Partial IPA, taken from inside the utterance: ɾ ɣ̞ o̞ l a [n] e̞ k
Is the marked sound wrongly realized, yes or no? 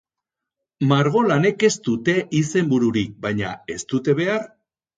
no